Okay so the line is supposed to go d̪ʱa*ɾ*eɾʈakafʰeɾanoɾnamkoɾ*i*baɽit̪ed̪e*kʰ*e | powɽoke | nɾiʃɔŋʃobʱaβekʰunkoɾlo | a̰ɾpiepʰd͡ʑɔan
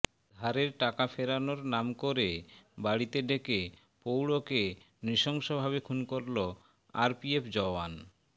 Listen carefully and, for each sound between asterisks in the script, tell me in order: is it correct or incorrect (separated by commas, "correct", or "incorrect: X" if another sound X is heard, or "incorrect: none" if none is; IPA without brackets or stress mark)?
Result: correct, incorrect: e, incorrect: k